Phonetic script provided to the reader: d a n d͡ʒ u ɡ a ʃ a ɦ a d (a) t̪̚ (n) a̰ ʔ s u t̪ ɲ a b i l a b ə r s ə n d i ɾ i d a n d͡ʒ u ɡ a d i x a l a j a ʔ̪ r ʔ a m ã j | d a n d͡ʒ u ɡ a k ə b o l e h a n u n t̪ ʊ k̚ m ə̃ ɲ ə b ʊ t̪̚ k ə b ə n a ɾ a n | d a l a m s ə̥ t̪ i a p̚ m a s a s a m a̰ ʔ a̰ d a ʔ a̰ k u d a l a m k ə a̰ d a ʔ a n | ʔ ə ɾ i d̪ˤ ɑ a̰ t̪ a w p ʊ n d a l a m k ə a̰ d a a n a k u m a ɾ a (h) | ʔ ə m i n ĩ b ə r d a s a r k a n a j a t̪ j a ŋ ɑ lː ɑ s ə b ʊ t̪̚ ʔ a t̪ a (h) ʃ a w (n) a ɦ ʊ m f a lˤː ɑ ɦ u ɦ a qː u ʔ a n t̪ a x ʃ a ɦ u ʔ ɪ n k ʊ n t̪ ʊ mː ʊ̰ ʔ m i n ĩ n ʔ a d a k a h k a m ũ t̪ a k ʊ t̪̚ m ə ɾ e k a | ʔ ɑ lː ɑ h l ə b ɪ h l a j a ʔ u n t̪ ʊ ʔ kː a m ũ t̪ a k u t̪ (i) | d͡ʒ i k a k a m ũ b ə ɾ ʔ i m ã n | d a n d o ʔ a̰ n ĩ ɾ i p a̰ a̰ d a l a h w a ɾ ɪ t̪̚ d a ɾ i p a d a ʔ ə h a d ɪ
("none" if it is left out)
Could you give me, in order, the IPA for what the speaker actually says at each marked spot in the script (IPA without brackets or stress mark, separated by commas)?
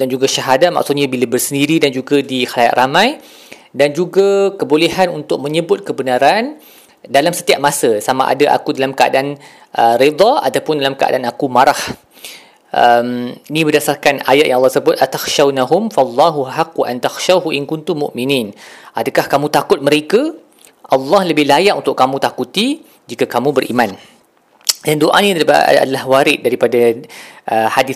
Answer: a, m, h, x, n, i